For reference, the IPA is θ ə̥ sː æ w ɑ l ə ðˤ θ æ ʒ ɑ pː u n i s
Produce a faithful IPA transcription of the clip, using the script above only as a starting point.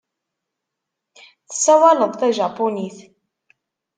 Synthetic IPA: θ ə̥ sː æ w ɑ l ə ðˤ θ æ ʒ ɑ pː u n i θ